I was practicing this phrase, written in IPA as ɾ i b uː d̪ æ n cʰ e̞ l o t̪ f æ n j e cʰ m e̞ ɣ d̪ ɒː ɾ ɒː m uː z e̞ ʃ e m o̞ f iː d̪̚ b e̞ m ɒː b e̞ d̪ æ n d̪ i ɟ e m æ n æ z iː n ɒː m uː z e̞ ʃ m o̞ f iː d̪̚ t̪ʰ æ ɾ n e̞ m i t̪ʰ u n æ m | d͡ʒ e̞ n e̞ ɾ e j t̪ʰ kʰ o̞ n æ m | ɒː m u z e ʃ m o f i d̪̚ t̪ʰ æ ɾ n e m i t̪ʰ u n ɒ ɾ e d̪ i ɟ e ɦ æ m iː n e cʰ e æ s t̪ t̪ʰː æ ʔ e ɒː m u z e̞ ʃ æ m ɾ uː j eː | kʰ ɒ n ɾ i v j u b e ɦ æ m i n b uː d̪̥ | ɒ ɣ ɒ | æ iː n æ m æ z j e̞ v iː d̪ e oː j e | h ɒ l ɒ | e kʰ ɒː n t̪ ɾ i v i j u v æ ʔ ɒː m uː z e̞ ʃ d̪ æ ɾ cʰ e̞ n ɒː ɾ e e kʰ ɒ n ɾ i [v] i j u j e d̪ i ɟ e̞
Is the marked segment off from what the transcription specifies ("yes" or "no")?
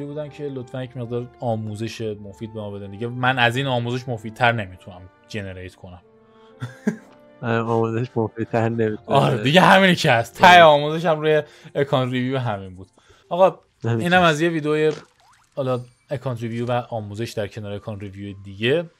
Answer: no